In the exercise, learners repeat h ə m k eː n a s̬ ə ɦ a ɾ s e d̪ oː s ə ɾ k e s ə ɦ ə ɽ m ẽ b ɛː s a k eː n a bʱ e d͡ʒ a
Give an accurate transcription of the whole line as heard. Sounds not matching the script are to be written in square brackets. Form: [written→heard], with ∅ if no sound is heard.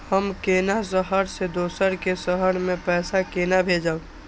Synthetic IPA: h ə m k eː n a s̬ ə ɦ [a→ə] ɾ s e d̪ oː s ə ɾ k e s ə ɦ ə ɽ m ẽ [b→p] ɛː s a k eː n a bʱ e d͡ʒ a

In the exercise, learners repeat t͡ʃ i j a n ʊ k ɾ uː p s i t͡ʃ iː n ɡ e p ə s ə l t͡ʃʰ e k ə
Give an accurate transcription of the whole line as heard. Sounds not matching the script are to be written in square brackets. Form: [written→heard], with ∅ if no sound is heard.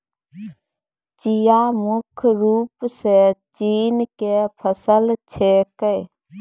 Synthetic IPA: t͡ʃ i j a [n→m] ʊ [k→kʰ] ɾ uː p s [i→e] t͡ʃ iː n [ɡ→k] e [p→pʰ] ə s ə l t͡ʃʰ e k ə

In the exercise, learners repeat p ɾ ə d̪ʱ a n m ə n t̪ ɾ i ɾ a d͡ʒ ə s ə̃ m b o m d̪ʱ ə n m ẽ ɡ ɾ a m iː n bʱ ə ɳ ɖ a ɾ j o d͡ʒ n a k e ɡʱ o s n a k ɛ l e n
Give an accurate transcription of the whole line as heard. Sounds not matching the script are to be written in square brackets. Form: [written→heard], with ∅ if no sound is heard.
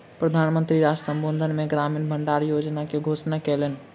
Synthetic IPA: p ɾ ə d̪ʱ a n m ə n t̪ ɾ i ɾ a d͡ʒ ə s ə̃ m b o [m→n] d̪ʱ ə n m [ẽ→e] ɡ ɾ a m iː n bʱ ə ɳ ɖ a ɾ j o d͡ʒ n a k e ɡʱ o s n a k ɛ l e n

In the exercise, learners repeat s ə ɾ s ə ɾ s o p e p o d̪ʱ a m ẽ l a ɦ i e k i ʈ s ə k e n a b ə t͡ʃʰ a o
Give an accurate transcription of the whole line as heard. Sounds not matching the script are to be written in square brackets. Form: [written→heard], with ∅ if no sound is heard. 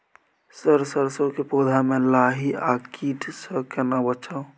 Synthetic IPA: s ə ɾ s ə ɾ s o [p→k] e p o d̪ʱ a m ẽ l a ɦ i [e→a] k i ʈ s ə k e n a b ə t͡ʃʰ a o

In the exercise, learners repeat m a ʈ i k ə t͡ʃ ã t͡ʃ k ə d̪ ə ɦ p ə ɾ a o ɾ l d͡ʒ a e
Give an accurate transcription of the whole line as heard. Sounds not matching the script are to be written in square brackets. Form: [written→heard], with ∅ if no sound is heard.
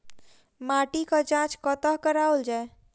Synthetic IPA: m a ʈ i k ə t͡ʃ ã t͡ʃ k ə [d̪→t̪] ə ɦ [p→k] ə ɾ a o [ɾ→∅] l d͡ʒ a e

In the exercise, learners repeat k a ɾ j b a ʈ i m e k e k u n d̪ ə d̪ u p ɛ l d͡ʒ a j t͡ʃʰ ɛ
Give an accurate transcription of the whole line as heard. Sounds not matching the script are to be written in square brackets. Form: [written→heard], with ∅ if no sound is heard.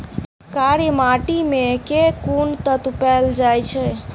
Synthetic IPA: k a ɾ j [b→m] a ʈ i m e k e k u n [d̪→t̪] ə [d̪→t̪] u p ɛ l d͡ʒ a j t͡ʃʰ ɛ

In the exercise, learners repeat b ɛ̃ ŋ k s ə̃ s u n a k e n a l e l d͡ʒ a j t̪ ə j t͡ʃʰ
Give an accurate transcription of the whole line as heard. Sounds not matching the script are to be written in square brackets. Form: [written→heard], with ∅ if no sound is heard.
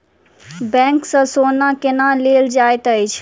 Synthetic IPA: b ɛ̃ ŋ k s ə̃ s [u→o] n a k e n a l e l d͡ʒ a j t̪ ə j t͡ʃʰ

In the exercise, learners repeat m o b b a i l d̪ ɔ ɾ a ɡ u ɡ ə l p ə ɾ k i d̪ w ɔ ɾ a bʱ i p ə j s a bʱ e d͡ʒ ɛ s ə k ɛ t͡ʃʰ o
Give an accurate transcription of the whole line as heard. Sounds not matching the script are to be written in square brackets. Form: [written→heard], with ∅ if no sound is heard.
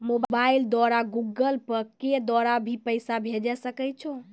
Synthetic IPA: m o b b a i l d̪ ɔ ɾ a ɡ u ɡ ə l p ə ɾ k [i→e] d̪ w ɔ ɾ a bʱ i p ə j s a bʱ e d͡ʒ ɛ s ə k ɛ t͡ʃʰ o

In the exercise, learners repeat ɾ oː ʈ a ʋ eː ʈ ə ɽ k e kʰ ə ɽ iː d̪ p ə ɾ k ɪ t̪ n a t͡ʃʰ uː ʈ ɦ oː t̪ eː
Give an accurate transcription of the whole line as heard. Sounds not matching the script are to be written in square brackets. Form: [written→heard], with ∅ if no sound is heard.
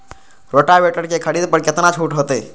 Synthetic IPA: ɾ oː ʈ a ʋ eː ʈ ə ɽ k e kʰ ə ɽ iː d̪ p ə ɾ k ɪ t̪ n a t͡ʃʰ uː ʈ ɦ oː t̪ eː

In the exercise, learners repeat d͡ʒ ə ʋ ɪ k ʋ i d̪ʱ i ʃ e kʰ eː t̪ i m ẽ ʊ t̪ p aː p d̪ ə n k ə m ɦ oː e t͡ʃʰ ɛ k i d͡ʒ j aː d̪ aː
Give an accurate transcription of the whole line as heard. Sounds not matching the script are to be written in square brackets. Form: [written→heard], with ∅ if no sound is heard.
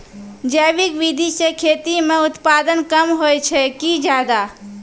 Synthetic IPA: d͡ʒ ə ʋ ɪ k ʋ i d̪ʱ i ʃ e kʰ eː t̪ i m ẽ ʊ t̪ p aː [p→∅] d̪ ə n k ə m ɦ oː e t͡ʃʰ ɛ k i d͡ʒ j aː d̪ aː

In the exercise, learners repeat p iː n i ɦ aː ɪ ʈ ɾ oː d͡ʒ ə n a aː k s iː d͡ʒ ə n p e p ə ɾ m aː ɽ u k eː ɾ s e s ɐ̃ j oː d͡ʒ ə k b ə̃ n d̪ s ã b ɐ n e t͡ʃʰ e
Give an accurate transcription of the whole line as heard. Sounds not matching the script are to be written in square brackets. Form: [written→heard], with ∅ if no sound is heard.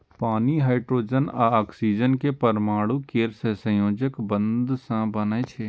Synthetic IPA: p [iː→aː] n i ɦ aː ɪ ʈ ɾ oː d͡ʒ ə n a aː k s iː d͡ʒ ə n [p→k] e p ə ɾ m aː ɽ u k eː ɾ s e s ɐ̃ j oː d͡ʒ ə k b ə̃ n d̪ s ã b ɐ n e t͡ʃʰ e

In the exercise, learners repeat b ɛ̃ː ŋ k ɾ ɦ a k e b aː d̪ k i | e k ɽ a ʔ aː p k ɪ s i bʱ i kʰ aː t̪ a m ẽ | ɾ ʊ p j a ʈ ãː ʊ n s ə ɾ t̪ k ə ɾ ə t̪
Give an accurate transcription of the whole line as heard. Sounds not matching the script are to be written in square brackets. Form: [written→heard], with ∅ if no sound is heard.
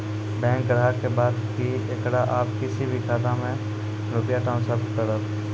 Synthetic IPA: b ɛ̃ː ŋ k ɾ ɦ a k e b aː d̪ k i | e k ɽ a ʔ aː p k ɪ s i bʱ i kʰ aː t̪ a m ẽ | ɾ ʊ p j a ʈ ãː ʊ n s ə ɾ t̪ k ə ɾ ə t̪

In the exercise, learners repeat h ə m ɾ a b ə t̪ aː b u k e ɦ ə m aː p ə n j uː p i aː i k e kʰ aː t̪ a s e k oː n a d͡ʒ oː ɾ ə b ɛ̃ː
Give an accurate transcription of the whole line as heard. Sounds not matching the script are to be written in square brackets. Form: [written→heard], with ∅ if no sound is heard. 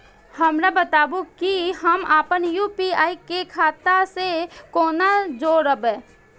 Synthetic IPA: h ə m ɾ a b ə t̪ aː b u k [e→i] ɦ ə m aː p ə n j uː p i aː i k e kʰ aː t̪ a s e k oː n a d͡ʒ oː ɾ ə b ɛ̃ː

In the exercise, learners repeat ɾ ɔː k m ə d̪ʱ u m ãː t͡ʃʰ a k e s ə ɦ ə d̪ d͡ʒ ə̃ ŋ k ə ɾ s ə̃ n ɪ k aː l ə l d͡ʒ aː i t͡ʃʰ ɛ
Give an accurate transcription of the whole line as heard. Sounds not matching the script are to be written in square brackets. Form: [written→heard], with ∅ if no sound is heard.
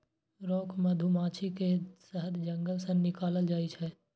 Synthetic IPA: ɾ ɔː k m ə d̪ʱ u m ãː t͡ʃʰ [a→i] k e s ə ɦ ə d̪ d͡ʒ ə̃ ŋ [k→ɡ] ə [ɾ→l] s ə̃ n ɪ k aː l ə l d͡ʒ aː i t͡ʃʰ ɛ

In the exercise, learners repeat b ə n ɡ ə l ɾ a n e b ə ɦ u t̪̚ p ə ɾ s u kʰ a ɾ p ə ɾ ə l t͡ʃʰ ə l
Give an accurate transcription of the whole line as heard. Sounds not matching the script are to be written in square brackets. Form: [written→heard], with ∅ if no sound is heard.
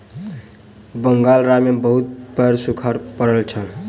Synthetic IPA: b ə [n→ŋ] ɡ [ə→a] l ɾ a [n→m] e b ə ɦ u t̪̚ p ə ɾ s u kʰ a ɾ p ə ɾ ə l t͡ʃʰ ə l

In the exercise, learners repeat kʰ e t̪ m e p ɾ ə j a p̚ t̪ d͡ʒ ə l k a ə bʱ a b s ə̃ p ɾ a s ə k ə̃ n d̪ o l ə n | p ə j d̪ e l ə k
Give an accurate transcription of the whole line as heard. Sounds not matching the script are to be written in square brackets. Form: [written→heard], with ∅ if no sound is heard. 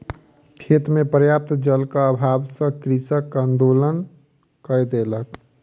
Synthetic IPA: kʰ e t̪ m e p ɾ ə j a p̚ t̪ d͡ʒ ə l k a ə bʱ a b s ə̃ [p→k] ɾ [a→i] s ə k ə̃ n d̪ o l ə n | [p→k] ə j d̪ e l ə k

